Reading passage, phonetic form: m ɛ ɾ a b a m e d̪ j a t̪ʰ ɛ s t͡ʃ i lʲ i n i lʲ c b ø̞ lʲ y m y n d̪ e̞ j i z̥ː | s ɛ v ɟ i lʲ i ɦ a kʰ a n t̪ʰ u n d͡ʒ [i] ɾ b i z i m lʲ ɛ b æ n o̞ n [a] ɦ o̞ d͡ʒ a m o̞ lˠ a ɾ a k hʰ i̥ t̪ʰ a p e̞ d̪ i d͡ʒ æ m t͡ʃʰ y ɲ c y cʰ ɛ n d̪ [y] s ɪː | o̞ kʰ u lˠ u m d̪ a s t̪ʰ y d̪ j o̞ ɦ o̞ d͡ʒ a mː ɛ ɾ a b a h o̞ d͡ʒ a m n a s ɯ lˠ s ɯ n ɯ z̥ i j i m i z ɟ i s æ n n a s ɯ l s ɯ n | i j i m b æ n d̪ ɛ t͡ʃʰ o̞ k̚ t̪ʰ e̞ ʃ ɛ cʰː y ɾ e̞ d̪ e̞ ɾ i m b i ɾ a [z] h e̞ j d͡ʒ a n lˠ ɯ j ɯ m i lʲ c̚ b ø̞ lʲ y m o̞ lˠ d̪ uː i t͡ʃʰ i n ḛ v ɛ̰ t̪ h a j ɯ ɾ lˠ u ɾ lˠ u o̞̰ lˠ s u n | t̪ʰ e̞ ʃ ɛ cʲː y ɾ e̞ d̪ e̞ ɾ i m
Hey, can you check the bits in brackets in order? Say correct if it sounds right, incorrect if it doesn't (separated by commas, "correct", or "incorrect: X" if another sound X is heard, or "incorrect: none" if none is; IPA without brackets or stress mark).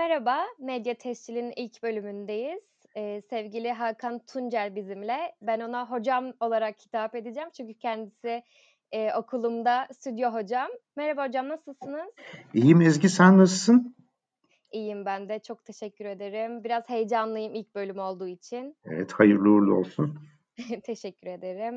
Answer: incorrect: æ, correct, incorrect: i, correct